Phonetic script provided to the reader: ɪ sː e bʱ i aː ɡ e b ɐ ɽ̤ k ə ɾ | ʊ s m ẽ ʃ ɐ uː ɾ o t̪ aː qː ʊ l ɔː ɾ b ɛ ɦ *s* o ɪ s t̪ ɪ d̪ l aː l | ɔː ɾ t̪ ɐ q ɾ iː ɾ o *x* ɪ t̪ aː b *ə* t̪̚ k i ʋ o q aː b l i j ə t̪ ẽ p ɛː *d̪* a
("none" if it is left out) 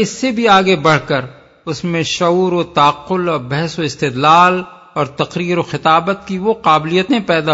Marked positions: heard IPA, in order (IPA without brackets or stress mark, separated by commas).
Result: s, x, ə, d̪